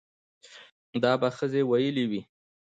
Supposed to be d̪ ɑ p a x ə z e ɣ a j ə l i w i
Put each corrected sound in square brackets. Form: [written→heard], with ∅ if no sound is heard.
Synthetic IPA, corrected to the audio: d̪ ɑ [p→b] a x ə z e [ɣ→w] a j ə l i w i